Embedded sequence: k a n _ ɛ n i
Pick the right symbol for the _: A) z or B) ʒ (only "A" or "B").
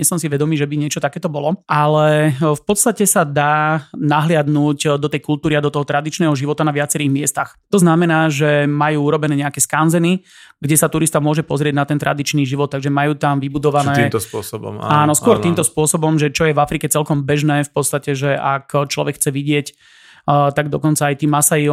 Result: A